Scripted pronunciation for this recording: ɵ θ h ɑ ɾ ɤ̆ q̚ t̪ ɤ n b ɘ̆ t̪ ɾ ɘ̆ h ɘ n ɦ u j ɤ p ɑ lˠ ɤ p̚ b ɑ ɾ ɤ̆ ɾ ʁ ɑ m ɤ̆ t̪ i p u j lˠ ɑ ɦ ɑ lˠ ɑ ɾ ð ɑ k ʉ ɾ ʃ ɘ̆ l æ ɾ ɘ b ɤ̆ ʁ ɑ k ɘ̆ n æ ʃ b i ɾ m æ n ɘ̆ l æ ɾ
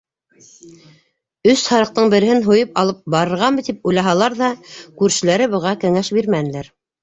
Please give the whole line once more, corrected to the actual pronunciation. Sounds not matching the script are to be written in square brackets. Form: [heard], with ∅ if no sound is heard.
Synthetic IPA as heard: ɵ [s] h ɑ ɾ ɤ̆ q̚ t̪ ɤ [ɴ] b ɘ̆ [∅] ɾ ɘ̆ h ɘ n ɦ u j ɤ p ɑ lˠ ɤ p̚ b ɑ ɾ ɤ̆ ɾ ʁ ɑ m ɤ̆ t̪ i p u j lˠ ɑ ɦ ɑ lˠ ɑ ɾ ð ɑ k ʉ ɾ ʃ ɘ̆ l æ ɾ ɘ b ɤ̆ ʁ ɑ k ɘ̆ [ŋ] æ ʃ b i ɾ m æ n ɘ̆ l æ ɾ